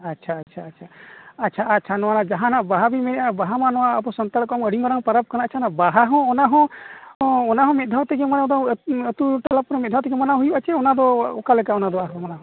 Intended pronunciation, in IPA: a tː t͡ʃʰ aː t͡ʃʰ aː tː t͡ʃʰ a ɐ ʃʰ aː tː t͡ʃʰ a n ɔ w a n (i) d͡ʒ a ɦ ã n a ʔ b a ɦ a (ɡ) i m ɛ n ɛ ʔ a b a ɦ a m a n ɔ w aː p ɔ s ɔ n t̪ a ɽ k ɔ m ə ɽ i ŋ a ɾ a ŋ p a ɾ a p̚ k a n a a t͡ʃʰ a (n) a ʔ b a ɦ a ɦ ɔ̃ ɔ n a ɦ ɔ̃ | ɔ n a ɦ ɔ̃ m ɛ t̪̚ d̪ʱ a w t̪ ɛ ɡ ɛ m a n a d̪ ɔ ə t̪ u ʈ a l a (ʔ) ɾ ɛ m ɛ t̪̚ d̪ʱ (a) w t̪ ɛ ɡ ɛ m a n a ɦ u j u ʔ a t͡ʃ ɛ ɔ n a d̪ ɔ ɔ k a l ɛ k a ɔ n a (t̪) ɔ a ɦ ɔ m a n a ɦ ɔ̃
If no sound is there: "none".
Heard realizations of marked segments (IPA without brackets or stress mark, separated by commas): a, b, n, p, a, d̪